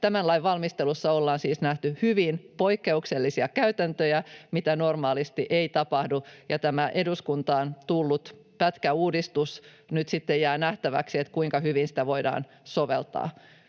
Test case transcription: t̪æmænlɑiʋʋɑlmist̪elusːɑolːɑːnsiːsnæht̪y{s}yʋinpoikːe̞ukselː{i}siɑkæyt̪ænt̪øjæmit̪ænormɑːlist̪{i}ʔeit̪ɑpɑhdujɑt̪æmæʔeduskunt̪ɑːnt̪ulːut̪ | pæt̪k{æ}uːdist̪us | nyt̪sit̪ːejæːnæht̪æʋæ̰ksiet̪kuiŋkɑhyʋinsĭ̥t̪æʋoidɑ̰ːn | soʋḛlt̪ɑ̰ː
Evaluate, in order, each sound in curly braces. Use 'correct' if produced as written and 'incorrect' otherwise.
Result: incorrect, correct, correct, correct

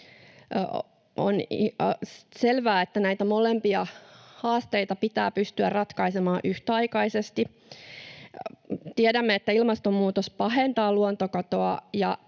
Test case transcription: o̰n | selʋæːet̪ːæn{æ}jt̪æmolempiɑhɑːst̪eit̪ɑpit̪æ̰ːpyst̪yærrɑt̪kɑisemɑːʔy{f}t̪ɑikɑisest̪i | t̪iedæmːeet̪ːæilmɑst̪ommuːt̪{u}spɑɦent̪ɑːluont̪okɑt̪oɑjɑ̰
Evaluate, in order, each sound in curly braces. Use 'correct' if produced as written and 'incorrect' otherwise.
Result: correct, incorrect, incorrect

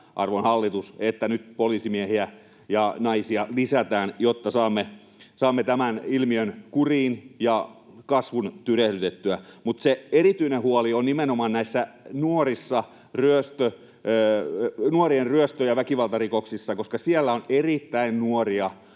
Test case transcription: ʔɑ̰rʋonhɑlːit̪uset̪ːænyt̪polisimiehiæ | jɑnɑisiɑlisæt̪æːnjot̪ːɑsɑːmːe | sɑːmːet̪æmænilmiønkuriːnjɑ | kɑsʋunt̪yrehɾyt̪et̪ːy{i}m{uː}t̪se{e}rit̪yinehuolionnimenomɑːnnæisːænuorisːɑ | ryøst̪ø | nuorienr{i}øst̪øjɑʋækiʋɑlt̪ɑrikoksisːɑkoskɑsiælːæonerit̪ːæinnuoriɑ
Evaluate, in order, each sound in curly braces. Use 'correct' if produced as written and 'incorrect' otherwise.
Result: incorrect, incorrect, correct, incorrect

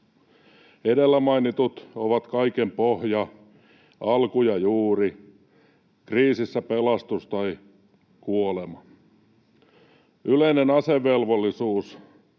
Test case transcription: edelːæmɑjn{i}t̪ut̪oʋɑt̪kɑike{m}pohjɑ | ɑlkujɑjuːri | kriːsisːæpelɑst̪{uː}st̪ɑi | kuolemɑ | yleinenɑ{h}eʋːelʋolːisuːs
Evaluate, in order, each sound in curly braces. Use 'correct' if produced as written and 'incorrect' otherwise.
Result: correct, correct, incorrect, incorrect

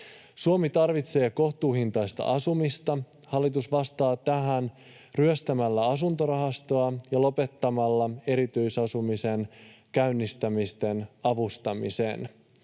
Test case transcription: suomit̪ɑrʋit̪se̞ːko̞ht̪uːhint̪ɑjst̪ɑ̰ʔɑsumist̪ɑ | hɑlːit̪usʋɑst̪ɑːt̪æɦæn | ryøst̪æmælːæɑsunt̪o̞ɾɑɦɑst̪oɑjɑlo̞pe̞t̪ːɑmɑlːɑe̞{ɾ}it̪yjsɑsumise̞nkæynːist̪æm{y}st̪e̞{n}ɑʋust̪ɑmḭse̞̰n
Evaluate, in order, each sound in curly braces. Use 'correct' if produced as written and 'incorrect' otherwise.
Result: correct, incorrect, correct

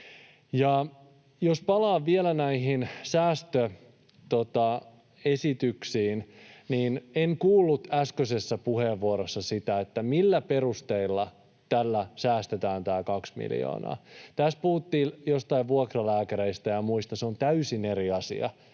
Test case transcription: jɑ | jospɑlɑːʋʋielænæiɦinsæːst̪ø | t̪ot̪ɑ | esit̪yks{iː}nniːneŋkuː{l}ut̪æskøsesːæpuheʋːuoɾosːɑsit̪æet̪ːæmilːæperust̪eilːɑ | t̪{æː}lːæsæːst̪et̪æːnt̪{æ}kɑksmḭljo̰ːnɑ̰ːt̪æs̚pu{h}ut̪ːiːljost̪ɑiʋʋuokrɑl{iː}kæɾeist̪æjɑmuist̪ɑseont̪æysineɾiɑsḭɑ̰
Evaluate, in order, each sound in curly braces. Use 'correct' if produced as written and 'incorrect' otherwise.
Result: correct, incorrect, incorrect, incorrect, correct, incorrect

